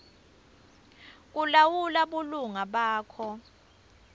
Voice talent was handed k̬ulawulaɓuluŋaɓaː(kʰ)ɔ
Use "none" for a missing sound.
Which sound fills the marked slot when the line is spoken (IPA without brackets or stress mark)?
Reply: kʰ